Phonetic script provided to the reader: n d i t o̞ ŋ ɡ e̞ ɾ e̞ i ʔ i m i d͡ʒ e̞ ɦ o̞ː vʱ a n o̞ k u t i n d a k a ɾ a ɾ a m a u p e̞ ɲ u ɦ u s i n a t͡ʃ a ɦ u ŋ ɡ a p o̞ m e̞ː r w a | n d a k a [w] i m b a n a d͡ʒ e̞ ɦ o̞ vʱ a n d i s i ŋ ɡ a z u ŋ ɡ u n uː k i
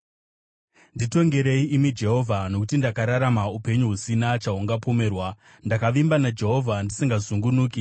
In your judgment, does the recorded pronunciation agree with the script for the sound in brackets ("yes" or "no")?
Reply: no